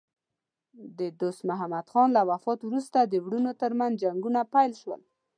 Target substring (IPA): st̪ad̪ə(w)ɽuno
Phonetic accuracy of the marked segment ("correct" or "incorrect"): correct